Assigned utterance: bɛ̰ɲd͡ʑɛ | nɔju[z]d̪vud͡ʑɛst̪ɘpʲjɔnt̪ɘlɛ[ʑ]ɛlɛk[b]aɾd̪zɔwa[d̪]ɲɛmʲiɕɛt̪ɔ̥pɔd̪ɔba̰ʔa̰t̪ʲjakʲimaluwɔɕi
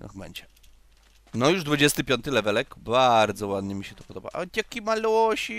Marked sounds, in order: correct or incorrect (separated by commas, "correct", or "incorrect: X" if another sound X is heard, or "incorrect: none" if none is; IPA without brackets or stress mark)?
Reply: incorrect: ʐ, incorrect: v, correct, correct